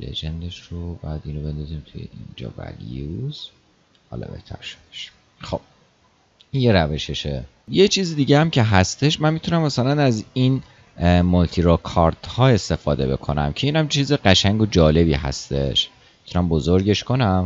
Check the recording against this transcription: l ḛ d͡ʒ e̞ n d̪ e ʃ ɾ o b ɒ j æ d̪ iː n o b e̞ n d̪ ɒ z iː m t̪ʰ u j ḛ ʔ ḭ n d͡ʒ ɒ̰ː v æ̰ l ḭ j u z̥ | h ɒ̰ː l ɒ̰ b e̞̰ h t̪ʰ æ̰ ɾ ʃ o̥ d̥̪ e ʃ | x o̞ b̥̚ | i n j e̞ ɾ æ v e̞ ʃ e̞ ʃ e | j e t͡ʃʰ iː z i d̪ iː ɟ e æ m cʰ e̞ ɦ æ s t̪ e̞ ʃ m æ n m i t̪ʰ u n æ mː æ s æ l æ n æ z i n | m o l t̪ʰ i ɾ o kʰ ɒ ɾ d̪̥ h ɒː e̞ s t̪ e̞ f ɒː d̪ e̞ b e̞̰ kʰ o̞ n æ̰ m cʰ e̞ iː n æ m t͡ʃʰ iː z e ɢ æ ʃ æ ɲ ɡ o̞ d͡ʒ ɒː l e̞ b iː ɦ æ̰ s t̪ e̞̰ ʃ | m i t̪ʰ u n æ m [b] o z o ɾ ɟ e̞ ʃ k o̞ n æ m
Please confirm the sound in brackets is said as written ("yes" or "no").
yes